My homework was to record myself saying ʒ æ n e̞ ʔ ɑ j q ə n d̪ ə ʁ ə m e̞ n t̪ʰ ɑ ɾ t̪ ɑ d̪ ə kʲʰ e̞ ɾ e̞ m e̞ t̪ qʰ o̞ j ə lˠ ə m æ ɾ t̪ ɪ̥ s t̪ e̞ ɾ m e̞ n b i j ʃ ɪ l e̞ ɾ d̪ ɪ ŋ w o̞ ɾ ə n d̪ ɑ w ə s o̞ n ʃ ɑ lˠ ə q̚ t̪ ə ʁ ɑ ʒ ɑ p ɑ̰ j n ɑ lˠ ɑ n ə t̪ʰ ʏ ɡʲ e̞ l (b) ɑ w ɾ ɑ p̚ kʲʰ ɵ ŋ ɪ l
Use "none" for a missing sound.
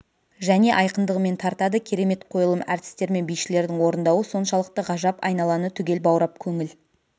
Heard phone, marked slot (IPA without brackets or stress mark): b